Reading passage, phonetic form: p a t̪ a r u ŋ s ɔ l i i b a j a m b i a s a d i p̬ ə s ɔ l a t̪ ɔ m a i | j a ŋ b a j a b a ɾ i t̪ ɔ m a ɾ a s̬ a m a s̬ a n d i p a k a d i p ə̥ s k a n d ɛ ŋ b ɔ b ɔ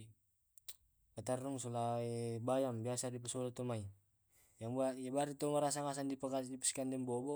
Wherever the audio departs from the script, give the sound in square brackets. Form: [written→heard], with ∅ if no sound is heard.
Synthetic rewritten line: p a t̪ a r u ŋ s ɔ l [i→a] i b a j a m b i a s a d i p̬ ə s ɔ l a t̪ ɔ m a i | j a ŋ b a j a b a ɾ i t̪ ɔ m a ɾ a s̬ a [m→ŋ] a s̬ a n d i p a k a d i p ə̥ s k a n d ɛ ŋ b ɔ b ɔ